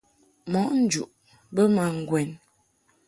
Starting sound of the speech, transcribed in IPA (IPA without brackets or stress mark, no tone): m